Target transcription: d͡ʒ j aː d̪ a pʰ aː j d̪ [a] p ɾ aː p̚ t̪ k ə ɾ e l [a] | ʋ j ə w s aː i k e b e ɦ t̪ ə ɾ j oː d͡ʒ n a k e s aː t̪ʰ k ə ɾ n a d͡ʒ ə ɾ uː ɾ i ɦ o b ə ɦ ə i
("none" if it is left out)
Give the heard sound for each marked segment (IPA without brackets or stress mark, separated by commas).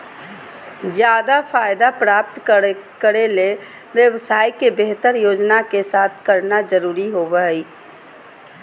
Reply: a, e